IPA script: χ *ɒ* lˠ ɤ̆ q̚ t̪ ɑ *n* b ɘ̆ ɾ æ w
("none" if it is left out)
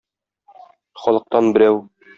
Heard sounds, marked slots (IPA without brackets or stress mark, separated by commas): ɒ, n